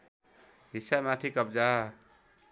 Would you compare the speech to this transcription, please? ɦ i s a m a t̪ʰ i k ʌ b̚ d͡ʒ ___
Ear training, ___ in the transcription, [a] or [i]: a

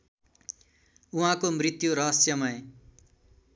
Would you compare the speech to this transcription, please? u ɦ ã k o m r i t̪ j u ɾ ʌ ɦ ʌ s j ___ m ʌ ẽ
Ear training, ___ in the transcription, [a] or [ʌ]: ʌ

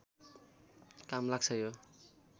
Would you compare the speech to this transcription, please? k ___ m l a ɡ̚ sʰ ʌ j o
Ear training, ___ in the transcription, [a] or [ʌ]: a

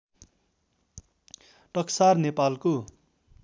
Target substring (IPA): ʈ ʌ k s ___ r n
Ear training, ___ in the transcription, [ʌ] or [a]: a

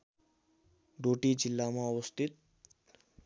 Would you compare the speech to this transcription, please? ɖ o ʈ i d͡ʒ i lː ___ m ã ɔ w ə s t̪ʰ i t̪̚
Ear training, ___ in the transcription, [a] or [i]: a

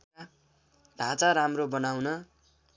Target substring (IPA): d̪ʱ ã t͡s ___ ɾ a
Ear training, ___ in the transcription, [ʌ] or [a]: a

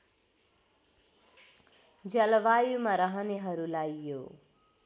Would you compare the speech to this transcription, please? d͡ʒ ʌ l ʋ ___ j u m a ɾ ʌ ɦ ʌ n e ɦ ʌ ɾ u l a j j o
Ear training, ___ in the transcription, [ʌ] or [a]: a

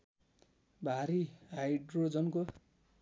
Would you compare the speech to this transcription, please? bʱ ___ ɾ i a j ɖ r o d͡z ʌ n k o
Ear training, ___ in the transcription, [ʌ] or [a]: a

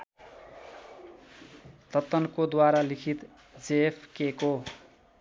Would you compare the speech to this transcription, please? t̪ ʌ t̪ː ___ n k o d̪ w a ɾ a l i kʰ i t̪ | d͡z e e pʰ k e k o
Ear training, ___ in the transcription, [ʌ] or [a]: ʌ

